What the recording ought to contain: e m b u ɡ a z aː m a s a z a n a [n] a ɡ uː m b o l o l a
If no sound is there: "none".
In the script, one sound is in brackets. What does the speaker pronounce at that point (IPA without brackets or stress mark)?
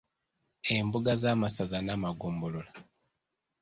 m